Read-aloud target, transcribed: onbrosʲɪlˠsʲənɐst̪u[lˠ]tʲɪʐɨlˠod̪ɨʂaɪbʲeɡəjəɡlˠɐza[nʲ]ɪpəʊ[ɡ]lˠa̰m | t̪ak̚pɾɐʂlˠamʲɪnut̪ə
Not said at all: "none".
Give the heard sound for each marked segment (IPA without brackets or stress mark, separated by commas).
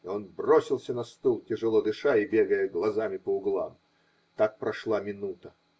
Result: lˠ, mʲ, ɡ